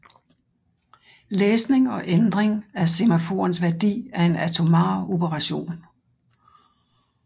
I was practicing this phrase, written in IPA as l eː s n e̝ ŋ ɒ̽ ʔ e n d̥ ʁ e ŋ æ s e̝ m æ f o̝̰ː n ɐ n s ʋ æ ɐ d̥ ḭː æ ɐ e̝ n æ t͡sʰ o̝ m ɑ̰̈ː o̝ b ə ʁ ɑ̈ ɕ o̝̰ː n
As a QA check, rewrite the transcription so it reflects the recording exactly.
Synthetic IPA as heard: l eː s n e̝ ŋ ɒ̽ ʔ e n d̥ ʁ e ŋ æ s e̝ m æ f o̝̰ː ɐ n s ʋ æ ɐ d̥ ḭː æ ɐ e̝ n æ t͡sʰ o̝ m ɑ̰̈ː o̝ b ə ʁ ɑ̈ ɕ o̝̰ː n